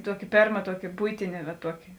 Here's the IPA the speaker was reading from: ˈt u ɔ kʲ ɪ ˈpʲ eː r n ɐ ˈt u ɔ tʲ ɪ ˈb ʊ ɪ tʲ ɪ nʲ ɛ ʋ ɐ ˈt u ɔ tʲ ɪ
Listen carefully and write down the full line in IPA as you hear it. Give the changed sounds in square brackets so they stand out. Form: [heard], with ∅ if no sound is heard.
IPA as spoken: ˈt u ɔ kʲ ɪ ˈpʲ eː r [m] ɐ ˈt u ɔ [kʲ] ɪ ˈb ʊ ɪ tʲ ɪ nʲ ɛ ʋ ɐ ˈt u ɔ [kʲ] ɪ